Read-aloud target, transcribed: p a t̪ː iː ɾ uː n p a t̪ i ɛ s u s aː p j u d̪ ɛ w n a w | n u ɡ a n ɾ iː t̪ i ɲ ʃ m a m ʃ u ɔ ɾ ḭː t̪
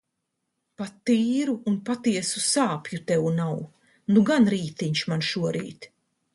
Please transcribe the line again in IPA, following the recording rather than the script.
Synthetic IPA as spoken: p a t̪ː iː ɾ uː n p a t̪ i ɛ s u s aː p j u t̪ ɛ w n a w | n u ɡ a n ɾ iː t̪ i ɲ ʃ m a n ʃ u ɔ ɾ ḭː t̪